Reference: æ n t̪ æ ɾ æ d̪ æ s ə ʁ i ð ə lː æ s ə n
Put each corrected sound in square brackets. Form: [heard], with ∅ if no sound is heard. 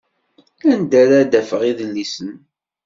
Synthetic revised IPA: æ n [d̪] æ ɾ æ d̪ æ [f] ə ʁ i ð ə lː [i] s ə n